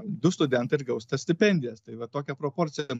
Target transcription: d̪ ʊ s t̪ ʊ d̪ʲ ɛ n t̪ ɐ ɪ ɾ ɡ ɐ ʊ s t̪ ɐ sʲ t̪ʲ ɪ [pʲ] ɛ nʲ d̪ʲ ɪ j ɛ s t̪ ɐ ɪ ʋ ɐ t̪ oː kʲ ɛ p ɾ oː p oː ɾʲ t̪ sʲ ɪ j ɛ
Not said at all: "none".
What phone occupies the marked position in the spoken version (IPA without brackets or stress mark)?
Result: pʲ